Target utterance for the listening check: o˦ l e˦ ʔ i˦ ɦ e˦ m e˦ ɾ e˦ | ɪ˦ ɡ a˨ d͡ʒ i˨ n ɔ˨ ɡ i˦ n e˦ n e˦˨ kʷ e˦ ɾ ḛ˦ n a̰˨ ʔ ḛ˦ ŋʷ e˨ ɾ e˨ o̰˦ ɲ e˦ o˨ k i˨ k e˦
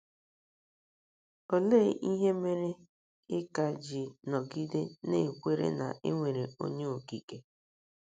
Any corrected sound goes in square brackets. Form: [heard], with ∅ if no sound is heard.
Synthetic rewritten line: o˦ l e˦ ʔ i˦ ɦ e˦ m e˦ ɾ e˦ | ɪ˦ [k] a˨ d͡ʒ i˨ n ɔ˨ ɡ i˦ [d] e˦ n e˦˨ kʷ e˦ ɾ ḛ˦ n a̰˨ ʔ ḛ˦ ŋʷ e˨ ɾ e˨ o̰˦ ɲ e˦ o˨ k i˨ k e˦